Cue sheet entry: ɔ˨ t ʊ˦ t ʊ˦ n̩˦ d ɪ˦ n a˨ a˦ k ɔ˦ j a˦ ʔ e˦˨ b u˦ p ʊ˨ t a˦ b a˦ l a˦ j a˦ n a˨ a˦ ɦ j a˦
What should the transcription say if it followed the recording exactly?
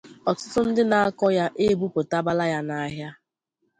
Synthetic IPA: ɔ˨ t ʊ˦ t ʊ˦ n̩˦ d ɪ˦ n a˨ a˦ k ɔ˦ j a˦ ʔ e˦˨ b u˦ p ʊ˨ t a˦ b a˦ l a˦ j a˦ n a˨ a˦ ɦ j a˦